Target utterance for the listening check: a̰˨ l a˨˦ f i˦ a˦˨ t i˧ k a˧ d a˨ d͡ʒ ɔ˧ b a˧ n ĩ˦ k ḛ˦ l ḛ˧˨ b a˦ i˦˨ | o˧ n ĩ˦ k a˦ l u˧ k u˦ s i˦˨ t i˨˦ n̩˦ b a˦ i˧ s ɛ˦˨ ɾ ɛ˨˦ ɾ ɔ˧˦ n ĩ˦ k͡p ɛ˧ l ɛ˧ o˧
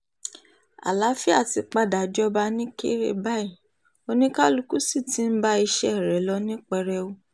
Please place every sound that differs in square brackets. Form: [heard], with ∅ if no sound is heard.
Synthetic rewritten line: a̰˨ l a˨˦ f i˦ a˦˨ t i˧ [k͡p] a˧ d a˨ d͡ʒ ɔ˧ b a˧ n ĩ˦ k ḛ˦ [ɾ] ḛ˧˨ b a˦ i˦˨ | o˧ n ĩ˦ k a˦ l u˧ k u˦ s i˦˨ t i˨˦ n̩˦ b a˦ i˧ [ʃ] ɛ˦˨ ɾ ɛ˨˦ [l] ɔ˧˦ n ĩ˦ k͡p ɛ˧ [ɾ] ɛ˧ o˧